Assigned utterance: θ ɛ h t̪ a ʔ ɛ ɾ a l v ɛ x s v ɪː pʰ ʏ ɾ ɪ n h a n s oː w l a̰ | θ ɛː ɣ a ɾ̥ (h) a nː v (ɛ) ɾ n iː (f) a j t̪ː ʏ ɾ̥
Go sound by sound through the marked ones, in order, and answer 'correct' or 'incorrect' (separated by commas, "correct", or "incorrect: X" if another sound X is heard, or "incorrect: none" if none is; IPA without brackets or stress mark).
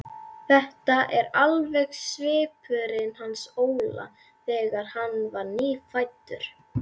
correct, incorrect: a, correct